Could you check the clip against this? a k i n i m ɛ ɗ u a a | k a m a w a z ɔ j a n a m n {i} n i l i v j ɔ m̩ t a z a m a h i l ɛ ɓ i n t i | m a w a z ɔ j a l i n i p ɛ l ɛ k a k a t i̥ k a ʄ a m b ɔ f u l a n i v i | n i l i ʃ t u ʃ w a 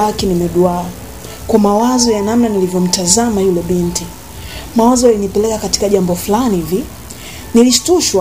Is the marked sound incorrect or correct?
incorrect